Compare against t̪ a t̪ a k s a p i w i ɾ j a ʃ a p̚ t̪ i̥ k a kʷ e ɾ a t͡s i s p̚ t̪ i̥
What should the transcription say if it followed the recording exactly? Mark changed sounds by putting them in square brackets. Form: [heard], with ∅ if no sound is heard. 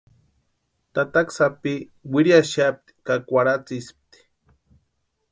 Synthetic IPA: t̪ a t̪ a k s a p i w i ɾ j a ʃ a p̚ t̪ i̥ k a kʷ [a] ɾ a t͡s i s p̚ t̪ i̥